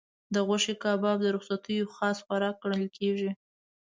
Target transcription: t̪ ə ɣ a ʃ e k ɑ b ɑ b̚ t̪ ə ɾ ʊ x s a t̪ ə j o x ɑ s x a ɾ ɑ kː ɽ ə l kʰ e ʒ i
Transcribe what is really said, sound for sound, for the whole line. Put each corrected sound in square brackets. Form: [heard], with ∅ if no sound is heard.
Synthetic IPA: [d̪] ə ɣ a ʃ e k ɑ b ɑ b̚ [d̪] ə ɾ ʊ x s a t̪ ə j o x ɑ s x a ɾ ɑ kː ɽ ə l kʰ e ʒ i